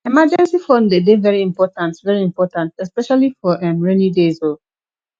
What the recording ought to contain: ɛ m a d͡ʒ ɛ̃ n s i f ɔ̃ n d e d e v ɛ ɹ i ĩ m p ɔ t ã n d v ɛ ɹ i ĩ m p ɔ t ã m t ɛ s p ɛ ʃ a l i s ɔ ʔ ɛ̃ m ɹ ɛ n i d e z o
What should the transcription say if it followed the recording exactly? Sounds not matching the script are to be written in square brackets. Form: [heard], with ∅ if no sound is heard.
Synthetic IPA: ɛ m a d͡ʒ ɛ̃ n s i f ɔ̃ n d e d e v ɛ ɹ i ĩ m p ɔ t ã n [t] v ɛ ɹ i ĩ m p ɔ t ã [n] t ɛ s p ɛ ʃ a l i [f] ɔ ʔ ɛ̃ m ɹ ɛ n i d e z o